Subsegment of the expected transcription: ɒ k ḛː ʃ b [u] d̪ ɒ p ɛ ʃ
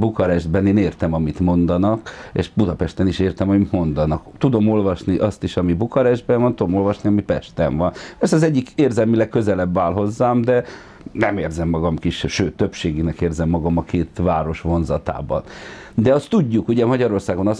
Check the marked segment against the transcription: correct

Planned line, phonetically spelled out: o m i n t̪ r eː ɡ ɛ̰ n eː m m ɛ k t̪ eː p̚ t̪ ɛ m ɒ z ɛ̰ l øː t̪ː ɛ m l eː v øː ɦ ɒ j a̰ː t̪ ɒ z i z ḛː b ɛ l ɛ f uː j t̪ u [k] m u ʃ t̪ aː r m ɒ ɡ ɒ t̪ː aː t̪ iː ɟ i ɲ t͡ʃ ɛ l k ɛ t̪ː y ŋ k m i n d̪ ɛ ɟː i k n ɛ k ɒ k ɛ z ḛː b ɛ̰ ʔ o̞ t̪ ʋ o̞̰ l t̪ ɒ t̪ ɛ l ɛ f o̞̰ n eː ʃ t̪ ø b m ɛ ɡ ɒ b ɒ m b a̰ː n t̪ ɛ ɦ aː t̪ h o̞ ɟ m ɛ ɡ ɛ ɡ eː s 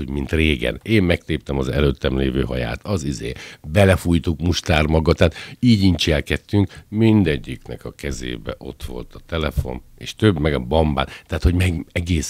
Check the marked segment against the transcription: correct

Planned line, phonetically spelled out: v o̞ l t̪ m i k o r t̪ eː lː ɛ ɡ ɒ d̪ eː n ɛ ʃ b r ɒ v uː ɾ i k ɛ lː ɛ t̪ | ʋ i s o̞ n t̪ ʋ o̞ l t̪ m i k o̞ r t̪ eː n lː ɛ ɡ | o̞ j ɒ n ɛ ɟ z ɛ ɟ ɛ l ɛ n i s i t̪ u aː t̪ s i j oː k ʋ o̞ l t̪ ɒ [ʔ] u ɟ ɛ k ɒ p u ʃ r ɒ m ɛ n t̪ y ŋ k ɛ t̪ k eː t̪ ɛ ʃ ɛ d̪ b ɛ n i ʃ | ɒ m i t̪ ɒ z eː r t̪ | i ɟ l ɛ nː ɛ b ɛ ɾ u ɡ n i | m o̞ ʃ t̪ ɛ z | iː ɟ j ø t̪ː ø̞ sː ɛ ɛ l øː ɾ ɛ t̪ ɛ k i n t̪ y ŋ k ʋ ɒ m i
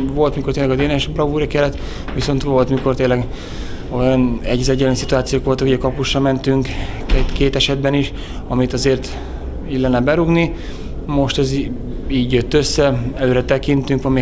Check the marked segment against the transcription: incorrect: k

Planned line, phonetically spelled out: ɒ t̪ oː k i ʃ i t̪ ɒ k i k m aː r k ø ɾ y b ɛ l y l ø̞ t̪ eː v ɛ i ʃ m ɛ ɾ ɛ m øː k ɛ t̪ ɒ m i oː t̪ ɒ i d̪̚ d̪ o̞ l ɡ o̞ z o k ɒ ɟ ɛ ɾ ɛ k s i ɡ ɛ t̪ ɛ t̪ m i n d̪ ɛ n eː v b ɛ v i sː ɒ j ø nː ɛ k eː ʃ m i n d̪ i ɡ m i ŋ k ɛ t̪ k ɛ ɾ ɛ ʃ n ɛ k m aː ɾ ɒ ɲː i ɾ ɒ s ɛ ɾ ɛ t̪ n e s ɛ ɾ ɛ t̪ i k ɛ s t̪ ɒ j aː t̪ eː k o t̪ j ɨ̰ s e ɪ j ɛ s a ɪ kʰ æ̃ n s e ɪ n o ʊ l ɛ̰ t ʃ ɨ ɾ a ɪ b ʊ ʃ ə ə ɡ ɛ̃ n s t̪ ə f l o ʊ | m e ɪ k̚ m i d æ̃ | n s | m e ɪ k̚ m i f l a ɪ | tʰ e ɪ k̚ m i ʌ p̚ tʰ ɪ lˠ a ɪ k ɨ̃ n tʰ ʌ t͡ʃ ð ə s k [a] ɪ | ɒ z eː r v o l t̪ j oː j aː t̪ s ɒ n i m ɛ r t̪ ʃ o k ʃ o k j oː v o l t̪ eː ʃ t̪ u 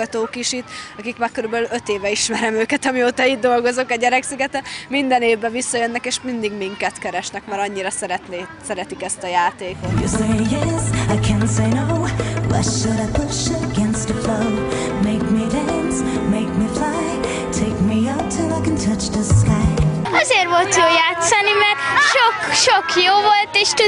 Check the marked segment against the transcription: correct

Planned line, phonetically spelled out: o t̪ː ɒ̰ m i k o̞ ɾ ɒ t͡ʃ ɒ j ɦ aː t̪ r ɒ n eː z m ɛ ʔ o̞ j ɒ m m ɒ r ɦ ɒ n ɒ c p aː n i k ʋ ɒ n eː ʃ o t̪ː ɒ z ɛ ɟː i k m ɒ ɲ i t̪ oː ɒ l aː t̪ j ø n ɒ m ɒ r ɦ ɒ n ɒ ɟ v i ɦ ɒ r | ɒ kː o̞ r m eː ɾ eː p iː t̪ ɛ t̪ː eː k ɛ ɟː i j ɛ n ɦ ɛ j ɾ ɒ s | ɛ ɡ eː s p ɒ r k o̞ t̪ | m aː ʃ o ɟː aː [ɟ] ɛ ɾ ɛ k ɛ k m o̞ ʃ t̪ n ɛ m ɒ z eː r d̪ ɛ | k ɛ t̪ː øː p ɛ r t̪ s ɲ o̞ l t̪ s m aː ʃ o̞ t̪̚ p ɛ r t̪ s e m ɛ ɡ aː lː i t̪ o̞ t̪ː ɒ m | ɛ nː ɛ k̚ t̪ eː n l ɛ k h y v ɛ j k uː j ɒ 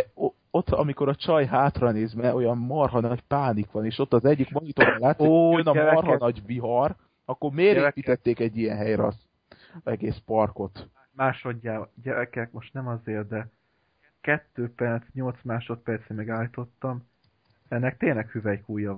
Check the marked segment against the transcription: correct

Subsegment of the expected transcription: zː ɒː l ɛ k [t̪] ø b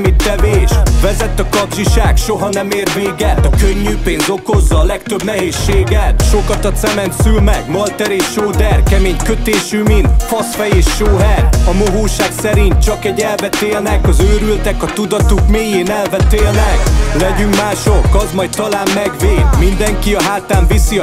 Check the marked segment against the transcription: correct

